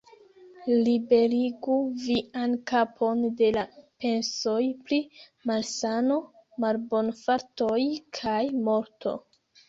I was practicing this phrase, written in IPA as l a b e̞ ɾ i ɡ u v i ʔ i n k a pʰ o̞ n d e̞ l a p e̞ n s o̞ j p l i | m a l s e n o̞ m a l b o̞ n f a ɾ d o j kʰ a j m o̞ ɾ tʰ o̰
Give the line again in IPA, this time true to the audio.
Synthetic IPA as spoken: l i b e̞ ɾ i ɡ u v i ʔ a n k a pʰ o̞ n d e̞ l a p e̞ n s o̞ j p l i | m a l s a n o̞ m a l b o̞ n f a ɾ t o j kʰ a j m o̞ ɾ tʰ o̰